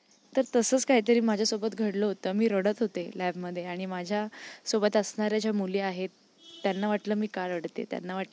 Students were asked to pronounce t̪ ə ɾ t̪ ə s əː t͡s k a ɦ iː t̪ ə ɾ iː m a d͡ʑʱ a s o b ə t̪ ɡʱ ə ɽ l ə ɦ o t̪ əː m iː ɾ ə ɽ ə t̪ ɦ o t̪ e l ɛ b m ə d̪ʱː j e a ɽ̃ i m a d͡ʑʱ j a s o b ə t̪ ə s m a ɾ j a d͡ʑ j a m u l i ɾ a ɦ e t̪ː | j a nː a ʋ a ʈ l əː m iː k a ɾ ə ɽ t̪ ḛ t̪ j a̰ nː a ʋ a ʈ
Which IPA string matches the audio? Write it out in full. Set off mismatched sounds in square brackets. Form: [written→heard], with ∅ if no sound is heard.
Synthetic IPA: t̪ ə ɾ t̪ ə s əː t͡s k a ɦ iː t̪ ə ɾ iː m a d͡ʑʱ a s o b ə t̪ ɡʱ ə ɽ l ə ɦ o t̪ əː m iː ɾ ə ɽ ə t̪ ɦ o t̪ e l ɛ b m ə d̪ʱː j e a ɽ̃ i m a d͡ʑʱ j a s o b ə t̪ ə s [m→ɳ] a ɾ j a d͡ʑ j a m u l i [ɾ→∅] a ɦ e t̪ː | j a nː a ʋ a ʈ l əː m iː k a ɾ ə ɽ t̪ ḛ t̪ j a̰ nː a ʋ a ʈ